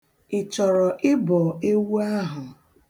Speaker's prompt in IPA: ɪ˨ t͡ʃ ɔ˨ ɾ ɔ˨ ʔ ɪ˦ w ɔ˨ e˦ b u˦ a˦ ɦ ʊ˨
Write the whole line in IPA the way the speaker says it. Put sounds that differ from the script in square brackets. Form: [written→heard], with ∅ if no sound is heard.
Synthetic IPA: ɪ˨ t͡ʃ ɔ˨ ɾ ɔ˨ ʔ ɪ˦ [w→b] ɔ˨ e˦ [b→w] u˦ a˦ ɦ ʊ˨